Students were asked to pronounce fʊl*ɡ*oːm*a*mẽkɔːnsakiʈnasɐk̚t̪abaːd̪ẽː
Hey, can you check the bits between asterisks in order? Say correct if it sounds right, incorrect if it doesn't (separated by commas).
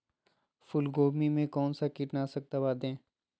correct, incorrect